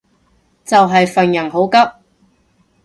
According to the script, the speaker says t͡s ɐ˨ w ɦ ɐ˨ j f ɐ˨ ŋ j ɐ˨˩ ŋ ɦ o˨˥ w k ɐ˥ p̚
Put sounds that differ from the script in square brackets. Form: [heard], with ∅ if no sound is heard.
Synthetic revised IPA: t͡s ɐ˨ w ɦ ɐ˨ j f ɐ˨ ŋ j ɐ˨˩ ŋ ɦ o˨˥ w k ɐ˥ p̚